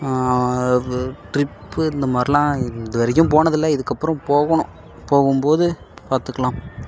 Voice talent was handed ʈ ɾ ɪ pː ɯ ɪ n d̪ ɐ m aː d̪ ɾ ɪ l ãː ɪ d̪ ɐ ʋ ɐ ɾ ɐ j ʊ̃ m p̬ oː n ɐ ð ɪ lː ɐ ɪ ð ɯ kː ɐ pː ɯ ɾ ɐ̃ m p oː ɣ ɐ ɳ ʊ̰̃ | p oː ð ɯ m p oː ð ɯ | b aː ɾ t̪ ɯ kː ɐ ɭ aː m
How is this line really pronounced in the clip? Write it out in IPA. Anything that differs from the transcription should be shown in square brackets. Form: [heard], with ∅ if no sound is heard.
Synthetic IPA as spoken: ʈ ɾ ɪ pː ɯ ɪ n d̪ ɐ m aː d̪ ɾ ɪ l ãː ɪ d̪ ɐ ʋ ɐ ɾ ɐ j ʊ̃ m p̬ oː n ɐ ð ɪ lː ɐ ɪ ð ɯ kː ɐ pː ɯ ɾ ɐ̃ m p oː ɣ ɐ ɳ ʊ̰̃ | p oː [ɣ] ɯ m p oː ð ɯ | [p] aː ɾ t̪ ɯ kː ɐ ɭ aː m